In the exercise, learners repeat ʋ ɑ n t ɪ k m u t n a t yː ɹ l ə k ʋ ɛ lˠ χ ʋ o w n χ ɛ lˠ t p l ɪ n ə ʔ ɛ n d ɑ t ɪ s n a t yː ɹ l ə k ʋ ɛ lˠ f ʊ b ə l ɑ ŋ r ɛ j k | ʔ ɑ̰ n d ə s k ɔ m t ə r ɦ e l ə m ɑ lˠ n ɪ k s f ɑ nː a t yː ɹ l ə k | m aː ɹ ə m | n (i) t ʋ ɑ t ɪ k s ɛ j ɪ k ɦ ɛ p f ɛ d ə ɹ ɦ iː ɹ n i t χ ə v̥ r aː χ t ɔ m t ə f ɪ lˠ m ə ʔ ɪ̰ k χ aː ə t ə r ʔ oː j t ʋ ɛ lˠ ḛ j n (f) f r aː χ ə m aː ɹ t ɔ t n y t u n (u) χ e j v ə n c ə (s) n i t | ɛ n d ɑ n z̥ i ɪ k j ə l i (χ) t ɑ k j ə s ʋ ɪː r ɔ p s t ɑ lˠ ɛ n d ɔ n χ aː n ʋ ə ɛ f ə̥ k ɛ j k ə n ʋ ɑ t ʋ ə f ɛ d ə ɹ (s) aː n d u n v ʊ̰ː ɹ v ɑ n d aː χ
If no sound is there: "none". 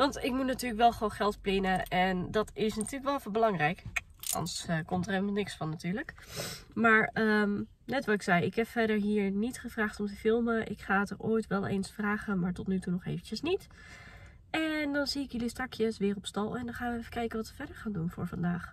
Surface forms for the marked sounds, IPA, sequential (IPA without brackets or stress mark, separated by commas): ɛ, s, ɔ, s, s, χ